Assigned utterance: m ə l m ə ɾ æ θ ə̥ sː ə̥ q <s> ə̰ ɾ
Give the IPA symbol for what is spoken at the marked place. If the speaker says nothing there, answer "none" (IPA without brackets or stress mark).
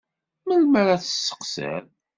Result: s